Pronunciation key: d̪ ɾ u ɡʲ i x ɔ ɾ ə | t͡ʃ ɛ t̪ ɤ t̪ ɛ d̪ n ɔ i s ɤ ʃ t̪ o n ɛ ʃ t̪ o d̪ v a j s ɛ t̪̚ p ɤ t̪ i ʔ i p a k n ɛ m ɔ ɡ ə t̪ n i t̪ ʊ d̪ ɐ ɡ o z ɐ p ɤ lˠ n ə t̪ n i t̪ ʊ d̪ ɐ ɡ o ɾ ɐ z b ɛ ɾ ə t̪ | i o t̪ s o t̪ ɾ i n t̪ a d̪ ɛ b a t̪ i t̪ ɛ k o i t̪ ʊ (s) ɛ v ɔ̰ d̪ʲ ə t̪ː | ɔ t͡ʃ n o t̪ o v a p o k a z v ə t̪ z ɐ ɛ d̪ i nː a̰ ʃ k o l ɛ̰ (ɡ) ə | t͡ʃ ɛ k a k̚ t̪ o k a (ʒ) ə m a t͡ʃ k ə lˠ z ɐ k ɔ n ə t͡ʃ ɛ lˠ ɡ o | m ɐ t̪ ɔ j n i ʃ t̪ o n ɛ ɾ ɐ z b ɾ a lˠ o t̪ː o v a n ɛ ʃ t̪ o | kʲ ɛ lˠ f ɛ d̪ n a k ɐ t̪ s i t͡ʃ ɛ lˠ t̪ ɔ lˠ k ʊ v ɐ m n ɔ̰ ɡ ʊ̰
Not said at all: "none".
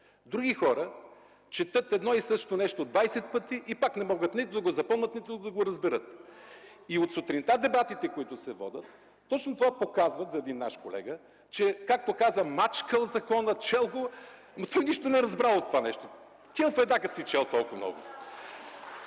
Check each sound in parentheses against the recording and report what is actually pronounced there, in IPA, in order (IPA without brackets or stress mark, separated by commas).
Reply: s, ɡ, z